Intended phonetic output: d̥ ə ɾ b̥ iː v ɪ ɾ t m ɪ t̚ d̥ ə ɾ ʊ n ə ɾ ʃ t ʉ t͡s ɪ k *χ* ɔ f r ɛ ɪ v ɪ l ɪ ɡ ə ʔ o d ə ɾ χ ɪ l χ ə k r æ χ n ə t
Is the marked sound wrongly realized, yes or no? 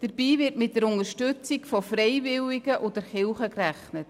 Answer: yes